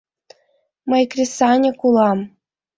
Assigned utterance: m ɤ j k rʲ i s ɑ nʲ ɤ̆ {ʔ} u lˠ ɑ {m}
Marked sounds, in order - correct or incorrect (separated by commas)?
incorrect, correct